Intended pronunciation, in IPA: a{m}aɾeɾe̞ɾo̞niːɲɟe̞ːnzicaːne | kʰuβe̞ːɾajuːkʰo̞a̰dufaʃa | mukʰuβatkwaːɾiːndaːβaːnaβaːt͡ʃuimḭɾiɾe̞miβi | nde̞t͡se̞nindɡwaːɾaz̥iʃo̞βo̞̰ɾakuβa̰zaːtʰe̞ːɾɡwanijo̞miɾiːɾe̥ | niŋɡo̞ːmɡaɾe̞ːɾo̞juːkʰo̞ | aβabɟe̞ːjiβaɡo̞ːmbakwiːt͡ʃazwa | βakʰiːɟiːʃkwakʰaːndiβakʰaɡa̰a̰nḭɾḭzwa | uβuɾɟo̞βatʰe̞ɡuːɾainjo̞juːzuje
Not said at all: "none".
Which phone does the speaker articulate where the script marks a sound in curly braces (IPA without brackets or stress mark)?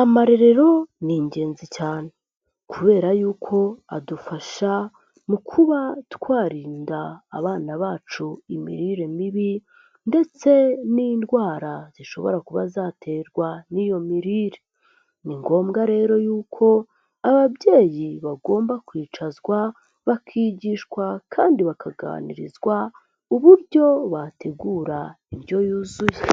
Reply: m